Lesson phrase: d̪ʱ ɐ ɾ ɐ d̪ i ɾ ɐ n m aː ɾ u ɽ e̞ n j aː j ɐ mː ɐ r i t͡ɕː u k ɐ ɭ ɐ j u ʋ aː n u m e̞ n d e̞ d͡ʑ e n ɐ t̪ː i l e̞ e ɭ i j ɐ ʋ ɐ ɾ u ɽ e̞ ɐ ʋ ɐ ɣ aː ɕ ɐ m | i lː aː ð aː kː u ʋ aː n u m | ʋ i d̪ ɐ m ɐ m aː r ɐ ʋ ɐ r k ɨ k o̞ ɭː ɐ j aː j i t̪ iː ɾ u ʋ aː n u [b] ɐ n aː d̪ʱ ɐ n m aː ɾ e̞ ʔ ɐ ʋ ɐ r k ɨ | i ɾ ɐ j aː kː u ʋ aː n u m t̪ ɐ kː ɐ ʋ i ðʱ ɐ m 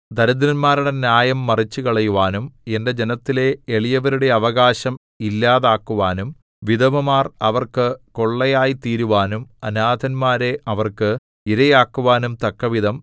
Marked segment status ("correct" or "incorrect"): incorrect